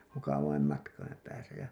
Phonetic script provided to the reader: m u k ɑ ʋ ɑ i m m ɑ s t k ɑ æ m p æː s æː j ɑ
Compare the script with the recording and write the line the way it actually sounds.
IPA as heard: m u k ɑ ʋ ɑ i m m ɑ t k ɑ i m p æː s æ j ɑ